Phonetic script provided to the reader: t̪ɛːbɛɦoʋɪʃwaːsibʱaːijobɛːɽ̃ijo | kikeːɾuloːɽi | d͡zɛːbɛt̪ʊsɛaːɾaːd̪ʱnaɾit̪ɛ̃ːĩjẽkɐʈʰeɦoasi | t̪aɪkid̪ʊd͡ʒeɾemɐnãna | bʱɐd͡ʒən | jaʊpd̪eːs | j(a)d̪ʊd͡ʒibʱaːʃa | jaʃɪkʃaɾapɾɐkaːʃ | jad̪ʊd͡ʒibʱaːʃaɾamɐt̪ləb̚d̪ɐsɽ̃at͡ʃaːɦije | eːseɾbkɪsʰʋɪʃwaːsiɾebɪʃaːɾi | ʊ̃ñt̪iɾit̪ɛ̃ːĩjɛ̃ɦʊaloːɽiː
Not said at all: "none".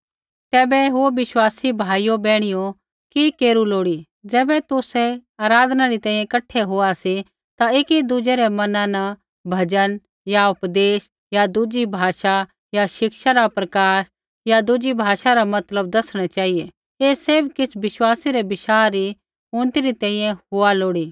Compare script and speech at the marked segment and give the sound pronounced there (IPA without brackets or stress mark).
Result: a